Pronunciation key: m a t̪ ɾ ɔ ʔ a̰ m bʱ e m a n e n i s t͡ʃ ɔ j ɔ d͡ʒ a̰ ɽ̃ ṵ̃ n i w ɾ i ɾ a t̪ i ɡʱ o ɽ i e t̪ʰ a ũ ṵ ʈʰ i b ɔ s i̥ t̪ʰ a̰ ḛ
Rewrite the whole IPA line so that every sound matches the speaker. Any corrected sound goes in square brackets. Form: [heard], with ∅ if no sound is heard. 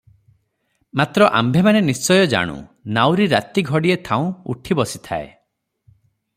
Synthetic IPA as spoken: m a t̪ ɾ ɔ ʔ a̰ m bʱ e m a n e n i s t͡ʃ ɔ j ɔ d͡ʒ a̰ ɽ̃ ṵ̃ n [a] w ɾ i ɾ a t̪ i ɡʱ [ɔ] ɽ i e t̪ʰ a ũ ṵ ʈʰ i b ɔ s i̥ t̪ʰ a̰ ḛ